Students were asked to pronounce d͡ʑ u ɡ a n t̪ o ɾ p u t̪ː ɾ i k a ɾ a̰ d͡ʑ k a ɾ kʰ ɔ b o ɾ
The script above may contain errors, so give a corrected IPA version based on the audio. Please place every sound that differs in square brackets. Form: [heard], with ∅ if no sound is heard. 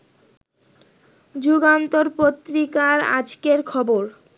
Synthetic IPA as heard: d͡ʑ u ɡ a n t̪ o ɾ p [o] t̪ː ɾ i k a ɾ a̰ d͡ʑ k [e] ɾ kʰ ɔ b o ɾ

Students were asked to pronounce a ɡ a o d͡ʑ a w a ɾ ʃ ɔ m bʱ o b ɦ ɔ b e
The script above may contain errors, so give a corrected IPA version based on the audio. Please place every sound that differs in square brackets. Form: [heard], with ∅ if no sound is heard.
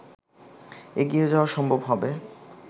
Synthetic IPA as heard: [e] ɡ [i] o d͡ʑ a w a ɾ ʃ ɔ m bʱ o b ɦ ɔ b e

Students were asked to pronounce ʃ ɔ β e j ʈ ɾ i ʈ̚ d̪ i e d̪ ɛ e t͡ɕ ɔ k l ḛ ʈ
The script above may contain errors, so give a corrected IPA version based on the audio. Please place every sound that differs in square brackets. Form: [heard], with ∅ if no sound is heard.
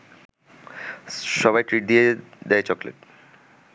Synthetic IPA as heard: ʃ ɔ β [a] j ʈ ɾ i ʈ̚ d̪ i e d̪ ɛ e t͡ɕ ɔ k l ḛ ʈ

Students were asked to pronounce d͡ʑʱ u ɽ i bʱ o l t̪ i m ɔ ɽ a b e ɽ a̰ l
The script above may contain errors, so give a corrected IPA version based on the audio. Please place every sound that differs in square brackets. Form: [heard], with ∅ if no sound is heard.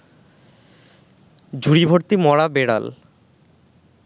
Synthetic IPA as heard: d͡ʑʱ u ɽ i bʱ o [ɾ] t̪ i m ɔ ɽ a b e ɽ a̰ l

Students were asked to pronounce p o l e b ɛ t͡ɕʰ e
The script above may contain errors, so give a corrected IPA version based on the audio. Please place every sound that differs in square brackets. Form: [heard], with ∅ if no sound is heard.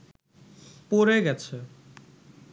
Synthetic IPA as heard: p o [ɾ] e [ɡ] ɛ t͡ɕʰ e

